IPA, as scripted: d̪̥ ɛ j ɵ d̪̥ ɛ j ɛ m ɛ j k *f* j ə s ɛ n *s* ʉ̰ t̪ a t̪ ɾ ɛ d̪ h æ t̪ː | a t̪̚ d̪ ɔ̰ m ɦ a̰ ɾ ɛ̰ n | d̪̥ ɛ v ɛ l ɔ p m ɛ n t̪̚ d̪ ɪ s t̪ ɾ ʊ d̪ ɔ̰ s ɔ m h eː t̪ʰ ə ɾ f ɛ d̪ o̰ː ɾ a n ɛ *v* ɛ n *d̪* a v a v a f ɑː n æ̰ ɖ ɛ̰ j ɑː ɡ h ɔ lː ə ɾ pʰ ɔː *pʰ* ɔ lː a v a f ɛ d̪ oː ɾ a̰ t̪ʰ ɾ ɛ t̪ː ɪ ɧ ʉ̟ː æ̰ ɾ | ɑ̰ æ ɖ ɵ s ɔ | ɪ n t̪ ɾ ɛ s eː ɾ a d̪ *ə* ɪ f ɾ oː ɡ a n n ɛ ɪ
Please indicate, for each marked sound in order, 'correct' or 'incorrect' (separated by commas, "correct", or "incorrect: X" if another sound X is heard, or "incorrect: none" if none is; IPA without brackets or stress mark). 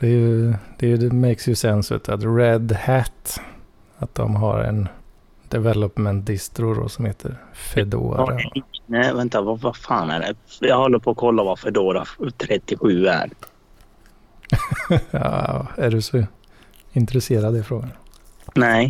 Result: incorrect: s, correct, correct, incorrect: t̪, incorrect: kʰ, correct